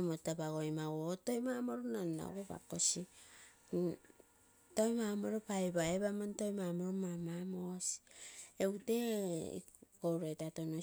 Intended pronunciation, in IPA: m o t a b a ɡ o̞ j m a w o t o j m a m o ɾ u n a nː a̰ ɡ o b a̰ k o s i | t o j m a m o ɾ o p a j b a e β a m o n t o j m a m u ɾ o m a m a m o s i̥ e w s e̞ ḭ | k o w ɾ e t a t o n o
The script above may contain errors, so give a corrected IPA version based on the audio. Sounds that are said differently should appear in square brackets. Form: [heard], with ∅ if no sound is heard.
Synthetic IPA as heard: m o t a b a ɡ o̞ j m a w o t o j m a m o ɾ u n a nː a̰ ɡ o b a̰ k o s i | t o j m a m o ɾ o p a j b a e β a m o n t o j m a m [o] ɾ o m a m a m o s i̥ e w [t] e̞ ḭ | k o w ɾ e t a t o n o